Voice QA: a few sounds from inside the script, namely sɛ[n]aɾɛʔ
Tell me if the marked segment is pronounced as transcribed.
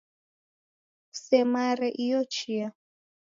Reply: no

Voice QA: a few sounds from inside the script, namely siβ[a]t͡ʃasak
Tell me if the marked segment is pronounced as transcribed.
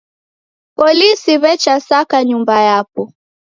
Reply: no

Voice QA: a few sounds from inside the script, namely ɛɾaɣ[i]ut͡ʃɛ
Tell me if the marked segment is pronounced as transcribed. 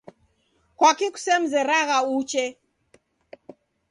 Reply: no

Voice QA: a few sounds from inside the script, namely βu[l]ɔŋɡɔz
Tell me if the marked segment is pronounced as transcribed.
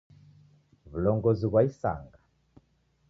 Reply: yes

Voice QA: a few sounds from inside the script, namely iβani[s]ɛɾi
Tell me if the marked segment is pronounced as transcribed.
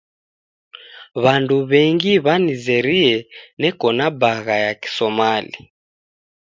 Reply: no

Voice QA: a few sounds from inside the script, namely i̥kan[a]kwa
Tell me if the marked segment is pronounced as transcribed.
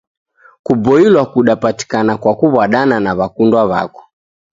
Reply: yes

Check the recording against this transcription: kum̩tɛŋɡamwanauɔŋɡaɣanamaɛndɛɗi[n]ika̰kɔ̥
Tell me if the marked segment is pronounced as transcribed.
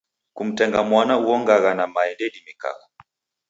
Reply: no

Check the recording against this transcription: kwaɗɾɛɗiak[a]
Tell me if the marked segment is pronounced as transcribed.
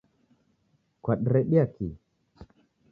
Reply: no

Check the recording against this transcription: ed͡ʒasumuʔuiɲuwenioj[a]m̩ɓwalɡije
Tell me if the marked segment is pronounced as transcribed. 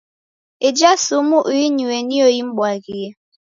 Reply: no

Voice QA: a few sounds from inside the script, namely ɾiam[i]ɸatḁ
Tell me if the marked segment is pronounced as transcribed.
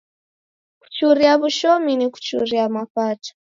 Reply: no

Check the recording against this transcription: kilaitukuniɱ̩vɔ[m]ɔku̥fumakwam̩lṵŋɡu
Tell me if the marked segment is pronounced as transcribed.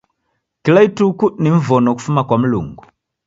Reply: no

